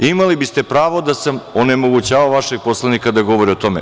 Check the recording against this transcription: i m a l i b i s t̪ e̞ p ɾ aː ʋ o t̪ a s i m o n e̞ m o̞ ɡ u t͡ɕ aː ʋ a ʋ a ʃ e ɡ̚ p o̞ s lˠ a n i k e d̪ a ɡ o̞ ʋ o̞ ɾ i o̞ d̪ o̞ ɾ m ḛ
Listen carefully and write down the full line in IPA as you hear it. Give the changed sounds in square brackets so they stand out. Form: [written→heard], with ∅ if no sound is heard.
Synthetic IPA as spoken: i m a l i b i s t̪ e̞ p ɾ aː ʋ o [t̪→d̪] a s [i→a] m o n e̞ m o̞ ɡ u t͡ɕ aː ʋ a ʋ a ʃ e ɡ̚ p o̞ s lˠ a n i k [e→a] d̪ a ɡ o̞ ʋ o̞ ɾ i o̞ [d̪→t̪] o̞ [ɾ→∅] m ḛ